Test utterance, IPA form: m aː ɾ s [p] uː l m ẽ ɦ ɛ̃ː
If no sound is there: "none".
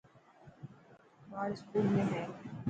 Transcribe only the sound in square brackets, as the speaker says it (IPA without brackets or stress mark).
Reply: k